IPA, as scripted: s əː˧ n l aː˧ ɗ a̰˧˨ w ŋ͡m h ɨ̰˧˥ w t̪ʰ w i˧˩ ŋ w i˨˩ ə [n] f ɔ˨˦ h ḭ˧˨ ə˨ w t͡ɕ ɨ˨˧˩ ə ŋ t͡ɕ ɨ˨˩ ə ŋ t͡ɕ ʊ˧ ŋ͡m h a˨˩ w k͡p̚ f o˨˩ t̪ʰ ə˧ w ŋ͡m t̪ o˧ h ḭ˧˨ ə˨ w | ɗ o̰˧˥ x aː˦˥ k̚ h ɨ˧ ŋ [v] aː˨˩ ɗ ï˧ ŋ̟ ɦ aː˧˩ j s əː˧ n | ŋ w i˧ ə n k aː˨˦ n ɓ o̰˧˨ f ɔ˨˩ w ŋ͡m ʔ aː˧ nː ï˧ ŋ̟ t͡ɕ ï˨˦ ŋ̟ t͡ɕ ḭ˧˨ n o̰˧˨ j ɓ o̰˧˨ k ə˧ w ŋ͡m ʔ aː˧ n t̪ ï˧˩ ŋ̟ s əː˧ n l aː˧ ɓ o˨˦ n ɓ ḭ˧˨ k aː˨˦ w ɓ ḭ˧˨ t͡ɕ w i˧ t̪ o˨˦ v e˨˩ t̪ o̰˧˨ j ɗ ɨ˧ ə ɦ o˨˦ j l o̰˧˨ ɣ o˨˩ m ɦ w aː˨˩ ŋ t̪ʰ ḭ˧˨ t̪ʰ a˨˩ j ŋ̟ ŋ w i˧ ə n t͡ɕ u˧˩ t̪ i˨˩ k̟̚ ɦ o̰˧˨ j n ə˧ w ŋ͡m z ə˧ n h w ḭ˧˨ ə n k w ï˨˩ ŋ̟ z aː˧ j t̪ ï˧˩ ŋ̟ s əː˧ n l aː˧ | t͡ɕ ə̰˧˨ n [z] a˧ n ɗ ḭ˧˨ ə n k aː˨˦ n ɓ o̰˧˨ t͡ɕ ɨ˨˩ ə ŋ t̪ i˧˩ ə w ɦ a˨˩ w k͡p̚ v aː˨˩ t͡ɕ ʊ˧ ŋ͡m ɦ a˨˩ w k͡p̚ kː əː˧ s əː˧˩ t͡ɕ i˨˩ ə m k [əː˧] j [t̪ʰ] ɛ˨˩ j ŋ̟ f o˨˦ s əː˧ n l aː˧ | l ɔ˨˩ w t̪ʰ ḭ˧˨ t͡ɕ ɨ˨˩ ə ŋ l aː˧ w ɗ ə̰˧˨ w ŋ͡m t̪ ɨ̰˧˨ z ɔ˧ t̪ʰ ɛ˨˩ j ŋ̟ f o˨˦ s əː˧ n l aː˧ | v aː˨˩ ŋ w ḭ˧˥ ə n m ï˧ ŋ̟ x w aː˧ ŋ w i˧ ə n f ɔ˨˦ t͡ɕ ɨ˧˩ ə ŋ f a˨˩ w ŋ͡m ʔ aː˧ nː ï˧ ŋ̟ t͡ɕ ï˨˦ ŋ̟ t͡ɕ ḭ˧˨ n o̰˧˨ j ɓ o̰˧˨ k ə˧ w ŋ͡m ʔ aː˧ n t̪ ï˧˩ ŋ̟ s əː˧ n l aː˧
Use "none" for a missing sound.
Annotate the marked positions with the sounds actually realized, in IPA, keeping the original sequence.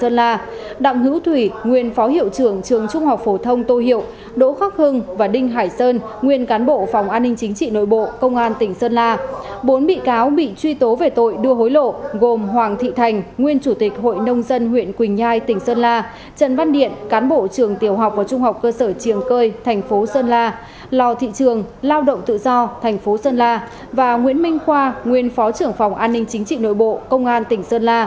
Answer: n, v, v, əː˧, t̪ʰ

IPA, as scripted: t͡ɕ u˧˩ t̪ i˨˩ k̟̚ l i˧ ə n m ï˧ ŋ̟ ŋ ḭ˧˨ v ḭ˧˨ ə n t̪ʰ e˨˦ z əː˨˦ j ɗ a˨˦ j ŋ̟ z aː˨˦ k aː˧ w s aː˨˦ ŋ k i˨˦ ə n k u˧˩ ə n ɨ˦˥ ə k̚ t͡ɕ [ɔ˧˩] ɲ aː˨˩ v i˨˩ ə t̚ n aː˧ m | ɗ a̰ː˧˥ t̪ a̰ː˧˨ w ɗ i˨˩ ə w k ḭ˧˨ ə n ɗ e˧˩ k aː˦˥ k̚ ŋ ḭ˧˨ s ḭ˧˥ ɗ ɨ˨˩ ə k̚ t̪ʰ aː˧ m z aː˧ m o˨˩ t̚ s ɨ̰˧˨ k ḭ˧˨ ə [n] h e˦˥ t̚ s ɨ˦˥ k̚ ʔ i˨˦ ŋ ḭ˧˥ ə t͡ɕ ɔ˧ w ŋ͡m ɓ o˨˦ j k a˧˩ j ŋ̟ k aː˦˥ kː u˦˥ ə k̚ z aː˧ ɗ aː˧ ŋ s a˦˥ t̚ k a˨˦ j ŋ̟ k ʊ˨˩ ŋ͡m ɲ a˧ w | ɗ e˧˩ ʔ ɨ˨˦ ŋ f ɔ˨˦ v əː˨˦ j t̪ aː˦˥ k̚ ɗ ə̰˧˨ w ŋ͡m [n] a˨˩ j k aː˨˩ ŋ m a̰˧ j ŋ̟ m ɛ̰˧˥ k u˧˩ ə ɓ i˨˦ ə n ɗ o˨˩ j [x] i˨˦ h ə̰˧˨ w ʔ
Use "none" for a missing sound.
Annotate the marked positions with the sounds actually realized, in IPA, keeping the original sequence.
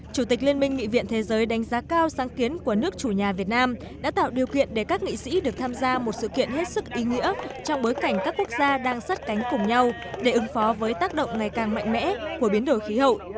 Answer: u˧˩, n, ŋ, x

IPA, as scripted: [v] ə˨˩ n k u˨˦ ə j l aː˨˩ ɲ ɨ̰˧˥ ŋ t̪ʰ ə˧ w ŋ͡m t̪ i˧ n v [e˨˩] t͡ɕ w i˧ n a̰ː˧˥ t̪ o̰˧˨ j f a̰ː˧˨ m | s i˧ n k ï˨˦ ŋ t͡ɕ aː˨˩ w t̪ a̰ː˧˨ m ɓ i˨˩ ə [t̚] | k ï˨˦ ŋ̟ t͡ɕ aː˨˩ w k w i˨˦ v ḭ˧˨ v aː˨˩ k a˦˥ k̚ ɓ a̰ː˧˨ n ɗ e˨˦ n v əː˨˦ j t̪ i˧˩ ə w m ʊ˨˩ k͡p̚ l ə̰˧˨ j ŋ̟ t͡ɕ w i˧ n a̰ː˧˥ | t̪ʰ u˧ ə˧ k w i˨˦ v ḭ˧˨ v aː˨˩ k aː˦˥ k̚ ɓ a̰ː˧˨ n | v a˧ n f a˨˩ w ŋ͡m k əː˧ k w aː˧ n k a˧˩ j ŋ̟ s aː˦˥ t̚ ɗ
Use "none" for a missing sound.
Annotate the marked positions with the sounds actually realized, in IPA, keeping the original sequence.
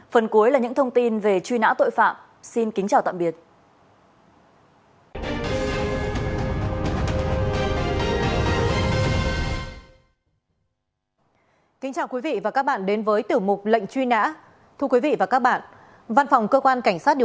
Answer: f, e˨˩, t̚

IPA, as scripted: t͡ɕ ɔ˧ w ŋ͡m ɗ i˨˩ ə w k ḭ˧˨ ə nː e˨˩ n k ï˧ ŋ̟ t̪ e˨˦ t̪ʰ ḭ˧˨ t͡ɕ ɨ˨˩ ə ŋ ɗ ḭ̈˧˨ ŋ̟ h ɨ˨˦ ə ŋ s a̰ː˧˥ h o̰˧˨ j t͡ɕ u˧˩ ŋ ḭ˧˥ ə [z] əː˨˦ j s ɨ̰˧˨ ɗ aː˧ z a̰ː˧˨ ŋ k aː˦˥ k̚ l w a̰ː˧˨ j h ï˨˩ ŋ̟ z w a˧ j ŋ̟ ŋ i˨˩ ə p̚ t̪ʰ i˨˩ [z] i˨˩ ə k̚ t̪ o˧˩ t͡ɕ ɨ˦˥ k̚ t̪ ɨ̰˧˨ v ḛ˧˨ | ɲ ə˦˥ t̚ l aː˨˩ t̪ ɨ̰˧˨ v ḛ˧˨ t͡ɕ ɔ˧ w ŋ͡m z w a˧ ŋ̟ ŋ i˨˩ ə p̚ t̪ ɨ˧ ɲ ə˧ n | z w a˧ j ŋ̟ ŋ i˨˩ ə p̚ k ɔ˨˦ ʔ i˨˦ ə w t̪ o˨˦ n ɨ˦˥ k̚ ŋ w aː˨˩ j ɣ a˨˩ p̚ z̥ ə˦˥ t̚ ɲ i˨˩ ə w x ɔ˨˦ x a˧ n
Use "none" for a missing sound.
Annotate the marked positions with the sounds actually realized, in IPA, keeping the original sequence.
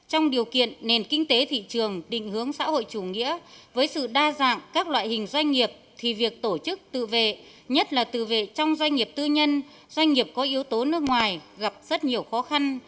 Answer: v, v

